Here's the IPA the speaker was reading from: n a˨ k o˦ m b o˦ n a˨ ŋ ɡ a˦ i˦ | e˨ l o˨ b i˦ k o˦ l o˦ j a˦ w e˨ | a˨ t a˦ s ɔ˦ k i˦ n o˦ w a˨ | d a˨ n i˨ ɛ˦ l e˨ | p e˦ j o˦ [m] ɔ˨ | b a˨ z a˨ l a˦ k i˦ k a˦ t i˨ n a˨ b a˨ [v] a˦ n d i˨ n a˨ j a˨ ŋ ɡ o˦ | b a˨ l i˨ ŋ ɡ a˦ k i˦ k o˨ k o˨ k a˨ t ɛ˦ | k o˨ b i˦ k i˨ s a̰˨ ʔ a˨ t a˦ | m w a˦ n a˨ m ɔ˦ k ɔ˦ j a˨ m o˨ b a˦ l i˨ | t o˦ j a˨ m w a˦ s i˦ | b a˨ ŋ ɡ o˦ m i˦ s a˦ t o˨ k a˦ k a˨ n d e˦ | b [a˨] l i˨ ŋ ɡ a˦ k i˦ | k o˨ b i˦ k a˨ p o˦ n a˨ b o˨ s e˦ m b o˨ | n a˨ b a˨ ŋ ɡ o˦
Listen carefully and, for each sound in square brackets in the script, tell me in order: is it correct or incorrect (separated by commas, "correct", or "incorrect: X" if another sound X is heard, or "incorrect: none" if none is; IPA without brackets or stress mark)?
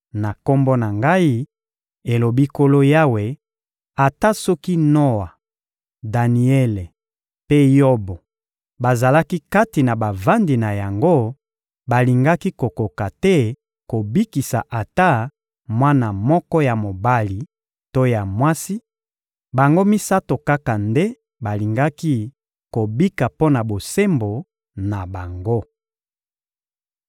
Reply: incorrect: b, correct, correct